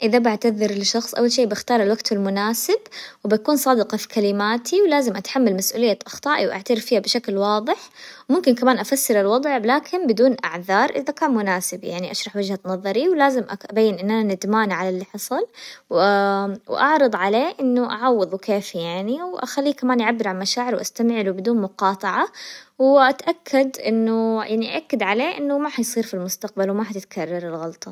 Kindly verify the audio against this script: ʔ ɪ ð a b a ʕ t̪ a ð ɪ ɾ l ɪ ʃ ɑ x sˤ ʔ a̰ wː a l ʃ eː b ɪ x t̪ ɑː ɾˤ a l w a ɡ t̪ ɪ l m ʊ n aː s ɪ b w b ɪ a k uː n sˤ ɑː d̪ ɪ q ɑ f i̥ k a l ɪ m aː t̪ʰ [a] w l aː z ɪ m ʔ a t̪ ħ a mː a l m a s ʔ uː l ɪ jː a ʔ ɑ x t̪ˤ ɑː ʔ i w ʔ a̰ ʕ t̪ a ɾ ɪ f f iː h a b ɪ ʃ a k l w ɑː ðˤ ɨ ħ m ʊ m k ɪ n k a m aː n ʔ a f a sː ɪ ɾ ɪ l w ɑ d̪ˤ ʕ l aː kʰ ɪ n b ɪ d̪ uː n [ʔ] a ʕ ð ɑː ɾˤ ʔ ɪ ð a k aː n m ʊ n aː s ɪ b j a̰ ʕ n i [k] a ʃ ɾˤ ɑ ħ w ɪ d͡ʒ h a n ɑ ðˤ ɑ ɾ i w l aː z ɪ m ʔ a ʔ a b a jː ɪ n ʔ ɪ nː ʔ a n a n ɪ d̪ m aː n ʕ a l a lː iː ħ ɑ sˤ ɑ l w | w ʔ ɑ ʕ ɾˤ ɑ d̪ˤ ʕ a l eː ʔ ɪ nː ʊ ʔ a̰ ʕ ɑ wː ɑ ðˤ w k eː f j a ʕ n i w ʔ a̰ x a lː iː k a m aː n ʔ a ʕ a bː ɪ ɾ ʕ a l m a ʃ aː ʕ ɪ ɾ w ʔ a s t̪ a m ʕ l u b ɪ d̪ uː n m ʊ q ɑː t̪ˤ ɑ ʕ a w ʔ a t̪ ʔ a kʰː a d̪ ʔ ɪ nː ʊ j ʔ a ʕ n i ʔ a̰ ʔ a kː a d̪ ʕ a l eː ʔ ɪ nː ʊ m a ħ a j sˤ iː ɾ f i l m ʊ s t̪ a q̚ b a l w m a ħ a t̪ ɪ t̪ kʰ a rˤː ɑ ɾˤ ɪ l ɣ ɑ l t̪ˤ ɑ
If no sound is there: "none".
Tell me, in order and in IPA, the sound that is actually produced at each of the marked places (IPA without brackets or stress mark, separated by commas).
i, ʔ, ʔ